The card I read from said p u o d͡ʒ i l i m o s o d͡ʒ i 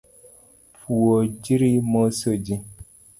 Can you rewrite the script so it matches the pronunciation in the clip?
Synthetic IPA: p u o d͡ʒ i ɾ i m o s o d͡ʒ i

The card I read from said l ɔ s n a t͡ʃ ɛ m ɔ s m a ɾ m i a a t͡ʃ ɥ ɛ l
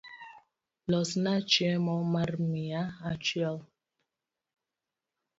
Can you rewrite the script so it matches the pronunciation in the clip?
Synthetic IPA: l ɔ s n a t͡ʃ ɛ m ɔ m a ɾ m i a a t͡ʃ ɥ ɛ l

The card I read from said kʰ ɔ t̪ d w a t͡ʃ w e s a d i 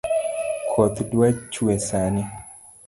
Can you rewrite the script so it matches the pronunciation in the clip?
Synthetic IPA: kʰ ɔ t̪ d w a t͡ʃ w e s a n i

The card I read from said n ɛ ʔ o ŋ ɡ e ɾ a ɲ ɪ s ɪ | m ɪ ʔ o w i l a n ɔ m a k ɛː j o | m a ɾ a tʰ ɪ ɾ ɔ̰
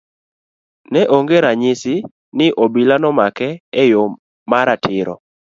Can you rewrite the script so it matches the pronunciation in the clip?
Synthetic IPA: n ɛ ʔ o ŋ ɡ e ɾ a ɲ ɪ s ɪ | n ɪ ʔ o b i l a n ɔ m a k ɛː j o | m a ɾ a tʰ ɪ ɾ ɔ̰

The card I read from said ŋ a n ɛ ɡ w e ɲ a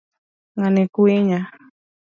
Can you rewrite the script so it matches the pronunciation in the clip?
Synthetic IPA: ŋ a n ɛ k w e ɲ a

